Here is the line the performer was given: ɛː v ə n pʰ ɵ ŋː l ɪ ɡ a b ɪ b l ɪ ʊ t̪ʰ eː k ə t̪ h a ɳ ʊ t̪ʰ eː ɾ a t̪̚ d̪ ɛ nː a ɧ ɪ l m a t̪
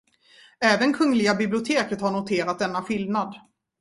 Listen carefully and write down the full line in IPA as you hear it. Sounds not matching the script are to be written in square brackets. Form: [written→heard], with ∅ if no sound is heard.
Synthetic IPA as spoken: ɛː v ə n [pʰ→kʰ] ɵ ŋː l ɪ ɡ a b ɪ b l ɪ ʊ t̪ʰ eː k ə t̪ h a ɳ ʊ t̪ʰ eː ɾ a t̪̚ d̪ ɛ nː a ɧ ɪ l [m→n] a [t̪→d̪]